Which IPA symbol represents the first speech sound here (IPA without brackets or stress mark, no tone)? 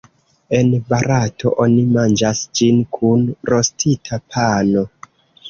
e̞